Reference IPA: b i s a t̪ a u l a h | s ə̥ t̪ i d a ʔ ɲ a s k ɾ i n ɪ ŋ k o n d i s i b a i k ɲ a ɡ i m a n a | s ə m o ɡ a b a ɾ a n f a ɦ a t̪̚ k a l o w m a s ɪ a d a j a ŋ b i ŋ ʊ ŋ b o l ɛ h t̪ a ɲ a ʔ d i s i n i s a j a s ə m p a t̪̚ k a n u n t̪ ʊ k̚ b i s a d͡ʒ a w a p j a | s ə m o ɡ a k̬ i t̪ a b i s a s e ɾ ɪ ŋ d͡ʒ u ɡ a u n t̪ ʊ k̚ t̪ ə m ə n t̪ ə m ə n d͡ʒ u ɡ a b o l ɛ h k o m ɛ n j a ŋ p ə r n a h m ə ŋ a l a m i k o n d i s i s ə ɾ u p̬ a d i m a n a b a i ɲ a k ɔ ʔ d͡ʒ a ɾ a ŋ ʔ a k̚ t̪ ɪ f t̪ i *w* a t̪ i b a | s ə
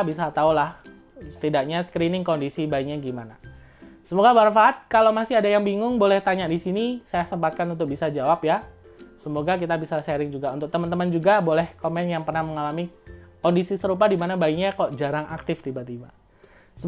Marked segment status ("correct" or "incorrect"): incorrect